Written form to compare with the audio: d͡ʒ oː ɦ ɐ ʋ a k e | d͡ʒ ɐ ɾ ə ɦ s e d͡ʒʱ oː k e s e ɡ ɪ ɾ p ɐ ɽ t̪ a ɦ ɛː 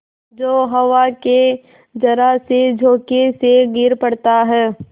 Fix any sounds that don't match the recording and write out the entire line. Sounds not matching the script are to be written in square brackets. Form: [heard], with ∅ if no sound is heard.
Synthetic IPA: d͡ʒ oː ɦ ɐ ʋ a k e | d͡ʒ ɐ ɾ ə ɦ s e d͡ʒʱ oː k e s e ɡ ɪ ɾ p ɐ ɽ t̪ a ɦ ɛː